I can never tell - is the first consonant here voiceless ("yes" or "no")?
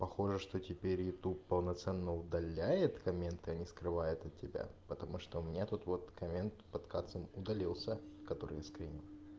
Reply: yes